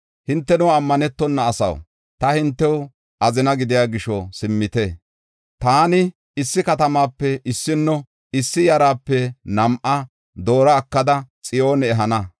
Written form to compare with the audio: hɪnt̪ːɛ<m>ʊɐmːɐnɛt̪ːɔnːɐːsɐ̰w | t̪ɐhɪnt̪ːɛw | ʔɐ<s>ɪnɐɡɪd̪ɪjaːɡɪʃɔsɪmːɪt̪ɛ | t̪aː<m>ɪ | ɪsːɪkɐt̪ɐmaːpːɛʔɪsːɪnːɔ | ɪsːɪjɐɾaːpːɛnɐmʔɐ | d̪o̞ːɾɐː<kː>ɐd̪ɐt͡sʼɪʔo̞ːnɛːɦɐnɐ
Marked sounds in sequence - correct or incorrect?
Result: incorrect: n, incorrect: z, incorrect: n, correct

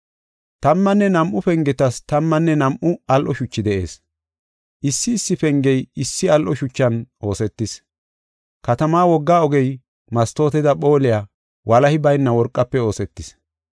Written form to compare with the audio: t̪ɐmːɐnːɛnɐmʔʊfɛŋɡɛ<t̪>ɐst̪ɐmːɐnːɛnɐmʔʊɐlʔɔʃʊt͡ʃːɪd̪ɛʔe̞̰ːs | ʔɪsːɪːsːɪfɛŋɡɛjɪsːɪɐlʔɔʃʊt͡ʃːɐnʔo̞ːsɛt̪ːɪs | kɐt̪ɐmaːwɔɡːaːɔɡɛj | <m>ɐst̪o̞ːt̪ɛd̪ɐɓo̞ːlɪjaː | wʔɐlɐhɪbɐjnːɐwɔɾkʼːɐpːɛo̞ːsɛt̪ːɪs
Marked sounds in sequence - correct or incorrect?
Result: correct, correct

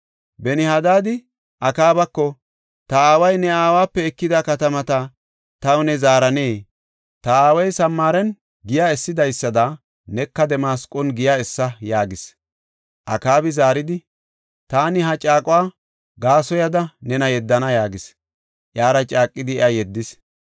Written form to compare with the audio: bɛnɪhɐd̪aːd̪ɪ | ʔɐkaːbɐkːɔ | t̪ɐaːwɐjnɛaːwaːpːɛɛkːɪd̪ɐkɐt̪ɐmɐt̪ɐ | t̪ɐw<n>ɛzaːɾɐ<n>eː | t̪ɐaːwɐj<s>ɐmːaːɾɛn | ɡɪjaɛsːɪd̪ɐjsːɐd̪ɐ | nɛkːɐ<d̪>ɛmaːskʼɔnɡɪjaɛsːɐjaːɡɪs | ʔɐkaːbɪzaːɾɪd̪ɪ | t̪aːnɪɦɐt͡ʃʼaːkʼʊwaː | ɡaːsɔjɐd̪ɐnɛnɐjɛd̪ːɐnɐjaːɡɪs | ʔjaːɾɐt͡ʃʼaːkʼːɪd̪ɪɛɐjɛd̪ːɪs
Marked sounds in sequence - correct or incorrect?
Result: correct, correct, correct, correct

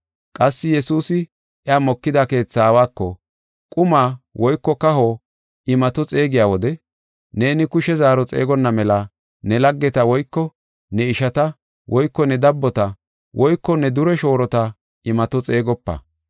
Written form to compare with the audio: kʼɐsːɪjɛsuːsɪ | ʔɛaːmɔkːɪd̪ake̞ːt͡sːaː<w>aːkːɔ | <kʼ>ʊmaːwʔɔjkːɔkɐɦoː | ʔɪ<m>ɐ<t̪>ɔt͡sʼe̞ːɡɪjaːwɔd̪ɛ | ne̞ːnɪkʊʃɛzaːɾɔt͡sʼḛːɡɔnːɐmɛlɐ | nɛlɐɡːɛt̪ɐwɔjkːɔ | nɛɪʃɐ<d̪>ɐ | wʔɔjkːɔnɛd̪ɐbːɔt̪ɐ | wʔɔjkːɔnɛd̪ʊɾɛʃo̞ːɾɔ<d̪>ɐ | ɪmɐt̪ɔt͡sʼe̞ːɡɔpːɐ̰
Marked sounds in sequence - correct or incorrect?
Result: correct, correct, correct, correct, incorrect: t̪, incorrect: t̪

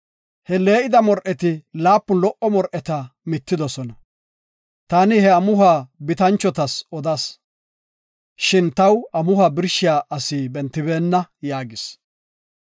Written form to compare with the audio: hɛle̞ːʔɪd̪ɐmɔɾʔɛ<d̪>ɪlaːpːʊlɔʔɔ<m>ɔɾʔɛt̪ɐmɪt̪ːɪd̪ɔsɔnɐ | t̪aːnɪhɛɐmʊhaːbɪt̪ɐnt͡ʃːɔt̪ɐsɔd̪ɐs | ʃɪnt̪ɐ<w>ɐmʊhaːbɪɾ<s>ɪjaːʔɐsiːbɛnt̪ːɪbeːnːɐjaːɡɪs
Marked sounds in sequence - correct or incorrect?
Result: incorrect: t̪, correct, correct, incorrect: ʃ

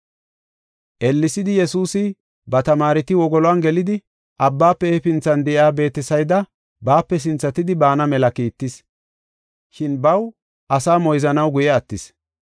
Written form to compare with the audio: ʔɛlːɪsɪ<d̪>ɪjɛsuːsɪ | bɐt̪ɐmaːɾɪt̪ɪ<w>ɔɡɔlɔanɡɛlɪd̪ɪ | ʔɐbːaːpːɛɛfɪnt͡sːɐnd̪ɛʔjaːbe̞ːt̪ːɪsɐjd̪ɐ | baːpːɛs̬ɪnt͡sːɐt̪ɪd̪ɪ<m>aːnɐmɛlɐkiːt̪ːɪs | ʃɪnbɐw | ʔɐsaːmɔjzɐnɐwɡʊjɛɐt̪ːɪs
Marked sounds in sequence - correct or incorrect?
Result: correct, correct, incorrect: b

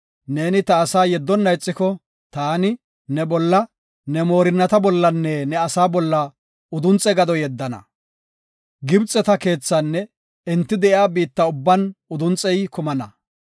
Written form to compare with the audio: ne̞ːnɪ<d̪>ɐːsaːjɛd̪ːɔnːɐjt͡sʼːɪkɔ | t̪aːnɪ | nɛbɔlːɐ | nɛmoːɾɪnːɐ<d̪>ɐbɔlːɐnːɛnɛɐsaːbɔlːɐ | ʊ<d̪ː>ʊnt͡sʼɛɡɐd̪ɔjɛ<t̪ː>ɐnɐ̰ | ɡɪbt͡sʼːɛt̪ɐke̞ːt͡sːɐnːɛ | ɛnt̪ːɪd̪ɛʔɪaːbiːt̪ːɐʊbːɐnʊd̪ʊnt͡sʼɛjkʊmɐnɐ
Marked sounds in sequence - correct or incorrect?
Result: incorrect: t̪, incorrect: t̪, incorrect: d̪, incorrect: d̪ː

